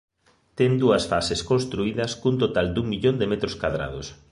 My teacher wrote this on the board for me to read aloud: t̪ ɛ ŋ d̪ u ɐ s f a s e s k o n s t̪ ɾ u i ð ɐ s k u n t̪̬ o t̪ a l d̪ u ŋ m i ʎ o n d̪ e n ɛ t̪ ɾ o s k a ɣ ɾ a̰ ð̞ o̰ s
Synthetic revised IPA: t̪ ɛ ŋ d̪ u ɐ s f a s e s k o n s t̪ ɾ u i ð ɐ s k u n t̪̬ o t̪ a l d̪ u ŋ m i ʎ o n d̪ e m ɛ t̪ ɾ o s k a ð ɾ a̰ ð̞ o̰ s